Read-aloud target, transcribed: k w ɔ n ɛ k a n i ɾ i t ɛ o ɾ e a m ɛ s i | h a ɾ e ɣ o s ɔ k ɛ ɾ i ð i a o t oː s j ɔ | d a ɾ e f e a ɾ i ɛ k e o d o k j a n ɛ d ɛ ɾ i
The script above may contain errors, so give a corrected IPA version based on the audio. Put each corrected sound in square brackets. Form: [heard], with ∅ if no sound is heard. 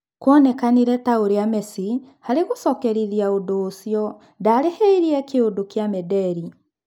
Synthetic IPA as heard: k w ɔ n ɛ k a n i ɾ [ɛ] t [a] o ɾ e a m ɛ s i | h a ɾ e ɣ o s ɔ k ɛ ɾ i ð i a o [d] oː s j ɔ | d a ɾ e [h] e [i] ɾ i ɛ k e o d o k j a [m] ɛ d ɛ ɾ i

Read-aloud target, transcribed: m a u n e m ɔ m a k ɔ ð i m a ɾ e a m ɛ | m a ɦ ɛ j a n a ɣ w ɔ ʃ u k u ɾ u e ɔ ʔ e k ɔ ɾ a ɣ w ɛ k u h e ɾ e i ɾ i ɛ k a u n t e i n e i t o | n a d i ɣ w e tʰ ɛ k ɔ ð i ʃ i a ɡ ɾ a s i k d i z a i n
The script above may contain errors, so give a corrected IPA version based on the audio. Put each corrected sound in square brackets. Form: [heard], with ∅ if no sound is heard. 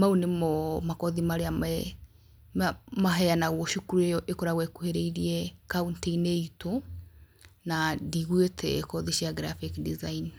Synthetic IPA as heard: m a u n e m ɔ m a k ɔ ð i m a ɾ e a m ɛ | m a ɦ ɛ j a n a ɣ w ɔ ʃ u k u ɾ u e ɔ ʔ e k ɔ ɾ a ɣ w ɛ k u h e ɾ e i ɾ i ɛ k a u n t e i n e i t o | n a d i ɣ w e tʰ ɛ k ɔ ð i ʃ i a ɡ ɾ a [f] i k d i z a i n

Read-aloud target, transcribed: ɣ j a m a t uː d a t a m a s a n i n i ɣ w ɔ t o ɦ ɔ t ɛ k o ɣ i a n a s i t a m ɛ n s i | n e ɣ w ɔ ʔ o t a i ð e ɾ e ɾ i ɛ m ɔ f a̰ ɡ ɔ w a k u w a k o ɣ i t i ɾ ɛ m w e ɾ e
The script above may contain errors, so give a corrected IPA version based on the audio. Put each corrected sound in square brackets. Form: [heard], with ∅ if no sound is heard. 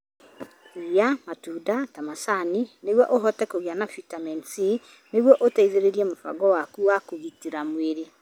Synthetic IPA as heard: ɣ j a m a t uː d a t a m a s a n i n [e] ɣ w ɔ [ʔ] o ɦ ɔ t ɛ k o ɣ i a n a [f] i t a m ɛ n s i | n e ɣ w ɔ ʔ o t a i ð e ɾ e ɾ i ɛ m [o] f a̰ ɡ ɔ w a k u w a k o ɣ i t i ɾ [a] m w e ɾ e

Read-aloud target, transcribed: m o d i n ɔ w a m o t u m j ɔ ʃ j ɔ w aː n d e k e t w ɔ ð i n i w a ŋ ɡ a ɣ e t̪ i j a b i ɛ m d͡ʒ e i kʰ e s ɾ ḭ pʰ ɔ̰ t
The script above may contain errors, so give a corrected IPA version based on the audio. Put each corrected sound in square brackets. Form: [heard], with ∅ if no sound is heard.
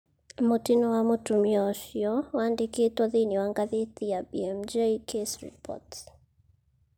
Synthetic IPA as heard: m o [t] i n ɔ w a m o t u m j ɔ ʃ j ɔ w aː n d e k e t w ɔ ð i n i w a ŋ ɡ a [ð] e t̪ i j a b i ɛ m d͡ʒ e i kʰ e s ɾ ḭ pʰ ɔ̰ t

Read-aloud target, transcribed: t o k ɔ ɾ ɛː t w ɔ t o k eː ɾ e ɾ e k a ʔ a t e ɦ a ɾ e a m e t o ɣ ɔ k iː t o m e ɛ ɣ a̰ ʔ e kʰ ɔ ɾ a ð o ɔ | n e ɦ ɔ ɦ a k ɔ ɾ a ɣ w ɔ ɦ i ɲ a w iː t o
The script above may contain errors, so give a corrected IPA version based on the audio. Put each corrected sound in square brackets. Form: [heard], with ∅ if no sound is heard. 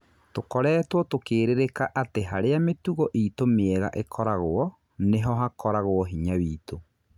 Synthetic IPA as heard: t o k ɔ ɾ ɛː t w ɔ t o k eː ɾ e ɾ e k a ʔ a t e ɦ a ɾ e a m e t [u] ɣ ɔ [ʔ] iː t o m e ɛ ɣ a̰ ʔ e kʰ ɔ ɾ a [ɣ] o ɔ | n e ɦ ɔ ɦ a k ɔ ɾ a ɣ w ɔ ɦ i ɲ a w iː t o

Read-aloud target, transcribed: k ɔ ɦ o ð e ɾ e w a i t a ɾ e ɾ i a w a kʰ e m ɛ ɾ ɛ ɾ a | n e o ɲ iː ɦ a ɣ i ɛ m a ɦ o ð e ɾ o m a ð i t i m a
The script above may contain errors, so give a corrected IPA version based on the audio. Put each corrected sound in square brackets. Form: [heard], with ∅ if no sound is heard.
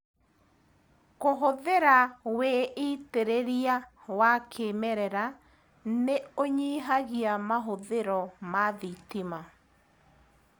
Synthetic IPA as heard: k [o] ɦ o ð e ɾ [a] w [e] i t [e] ɾ e ɾ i a w a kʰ e m ɛ ɾ ɛ ɾ a | n e o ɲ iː ɦ a ɣ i [a] m a ɦ o ð e ɾ [ɔ] m a ð i t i m a

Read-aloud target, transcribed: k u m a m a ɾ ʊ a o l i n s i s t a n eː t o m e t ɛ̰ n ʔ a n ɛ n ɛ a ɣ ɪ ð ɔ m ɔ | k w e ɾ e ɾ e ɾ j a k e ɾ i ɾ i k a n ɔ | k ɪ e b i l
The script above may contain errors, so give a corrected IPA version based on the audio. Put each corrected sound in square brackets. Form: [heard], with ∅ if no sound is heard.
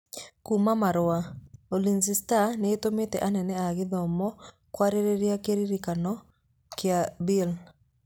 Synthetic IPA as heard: k u m a m a ɾ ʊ a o l i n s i s t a n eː t o m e t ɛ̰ [∅] ʔ a n ɛ n ɛ a ɣ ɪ ð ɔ m ɔ | k w [a] ɾ e ɾ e ɾ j a k e ɾ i ɾ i k a n ɔ | k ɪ [a] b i l

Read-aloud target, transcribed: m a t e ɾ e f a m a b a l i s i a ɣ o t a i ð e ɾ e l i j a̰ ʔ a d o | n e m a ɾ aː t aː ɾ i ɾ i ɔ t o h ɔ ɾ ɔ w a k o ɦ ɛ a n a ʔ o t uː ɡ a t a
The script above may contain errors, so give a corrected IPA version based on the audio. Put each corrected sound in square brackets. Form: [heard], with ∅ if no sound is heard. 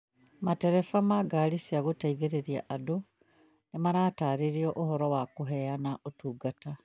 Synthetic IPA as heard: m a t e ɾ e f a m a [ɡ] a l i s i a ɣ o t a i ð e ɾ e [ɾ] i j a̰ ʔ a d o | n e m a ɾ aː t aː ɾ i ɾ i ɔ [ʔ] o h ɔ ɾ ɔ w a k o ɦ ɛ a n a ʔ o t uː ɡ a t a

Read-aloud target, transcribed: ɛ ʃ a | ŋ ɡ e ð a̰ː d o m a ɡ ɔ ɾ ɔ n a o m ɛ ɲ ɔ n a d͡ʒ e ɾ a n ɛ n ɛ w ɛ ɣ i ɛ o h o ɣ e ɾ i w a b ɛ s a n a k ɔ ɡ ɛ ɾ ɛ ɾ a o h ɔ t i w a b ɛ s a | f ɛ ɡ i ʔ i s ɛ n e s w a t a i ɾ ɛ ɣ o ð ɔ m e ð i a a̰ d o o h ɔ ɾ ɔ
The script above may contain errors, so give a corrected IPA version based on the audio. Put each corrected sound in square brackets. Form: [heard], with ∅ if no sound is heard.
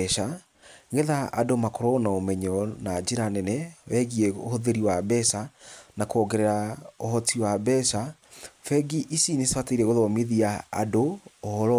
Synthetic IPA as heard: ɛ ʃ a | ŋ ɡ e ð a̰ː d o m a [k] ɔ ɾ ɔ n a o m ɛ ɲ ɔ n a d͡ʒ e ɾ a n ɛ n ɛ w ɛ ɣ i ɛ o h o [ð] e ɾ i w a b ɛ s a n a k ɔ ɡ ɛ ɾ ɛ ɾ a o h ɔ t i w a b ɛ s a | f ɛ ɡ i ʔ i s [i] n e s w a t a i ɾ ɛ ɣ o ð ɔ m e ð i a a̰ d o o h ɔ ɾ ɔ

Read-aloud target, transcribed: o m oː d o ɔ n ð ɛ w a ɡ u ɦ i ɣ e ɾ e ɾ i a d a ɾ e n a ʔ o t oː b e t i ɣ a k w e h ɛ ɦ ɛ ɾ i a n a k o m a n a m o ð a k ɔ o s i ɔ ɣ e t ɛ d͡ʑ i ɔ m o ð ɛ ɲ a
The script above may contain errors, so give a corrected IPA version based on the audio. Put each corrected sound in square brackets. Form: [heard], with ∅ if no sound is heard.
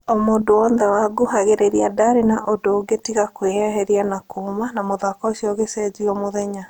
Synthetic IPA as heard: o m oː d o ɔ n ð ɛ w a ɡ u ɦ [a] ɣ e ɾ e ɾ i a d a ɾ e n a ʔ o [d] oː [ɡ] e t i ɣ a k w e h ɛ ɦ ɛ ɾ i a n a k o m a n a m o ð a k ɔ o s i ɔ ɣ e [s] ɛ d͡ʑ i ɔ m o ð ɛ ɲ a

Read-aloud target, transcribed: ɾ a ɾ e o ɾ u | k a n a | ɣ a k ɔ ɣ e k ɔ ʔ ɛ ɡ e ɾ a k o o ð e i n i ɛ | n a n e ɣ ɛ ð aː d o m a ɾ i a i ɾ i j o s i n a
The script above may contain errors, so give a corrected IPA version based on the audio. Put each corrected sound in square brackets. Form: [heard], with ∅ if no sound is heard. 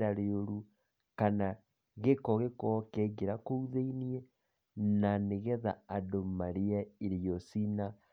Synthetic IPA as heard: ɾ a ɾ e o ɾ u | k a n a | ɣ [e] k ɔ ɣ e k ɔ [k] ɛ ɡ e ɾ a k o [u] ð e i n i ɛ | n a n e ɣ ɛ ð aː d o m a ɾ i a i ɾ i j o s i n a

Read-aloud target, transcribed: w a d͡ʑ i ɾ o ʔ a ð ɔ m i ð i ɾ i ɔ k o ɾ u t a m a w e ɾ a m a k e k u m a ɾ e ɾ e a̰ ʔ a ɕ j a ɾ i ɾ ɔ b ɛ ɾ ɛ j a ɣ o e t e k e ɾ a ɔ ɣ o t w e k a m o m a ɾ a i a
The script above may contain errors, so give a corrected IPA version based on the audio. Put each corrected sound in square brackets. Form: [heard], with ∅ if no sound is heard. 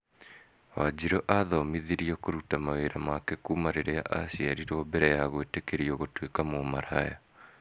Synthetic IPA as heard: w a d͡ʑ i ɾ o ʔ a ð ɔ m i ð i ɾ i ɔ k o ɾ u t a m a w e ɾ a m a k e k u m a ɾ e ɾ e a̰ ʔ a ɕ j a ɾ i ɾ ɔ b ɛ ɾ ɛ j a ɣ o e t e k e ɾ [i] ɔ ɣ o t w e k a m o m a ɾ a [j] a

